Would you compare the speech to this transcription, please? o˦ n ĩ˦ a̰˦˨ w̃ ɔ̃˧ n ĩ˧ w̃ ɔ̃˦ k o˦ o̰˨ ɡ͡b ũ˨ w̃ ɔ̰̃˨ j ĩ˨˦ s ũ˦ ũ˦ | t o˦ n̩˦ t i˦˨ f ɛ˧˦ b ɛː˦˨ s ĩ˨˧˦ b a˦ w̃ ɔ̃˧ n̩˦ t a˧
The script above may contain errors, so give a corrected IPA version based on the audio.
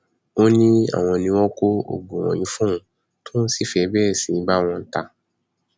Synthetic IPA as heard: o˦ n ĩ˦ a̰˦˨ w̃ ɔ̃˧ n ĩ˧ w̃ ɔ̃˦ k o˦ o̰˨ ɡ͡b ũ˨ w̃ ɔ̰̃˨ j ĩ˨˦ f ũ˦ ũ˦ | t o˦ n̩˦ s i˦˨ f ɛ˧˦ b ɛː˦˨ s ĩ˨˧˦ b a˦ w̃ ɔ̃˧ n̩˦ t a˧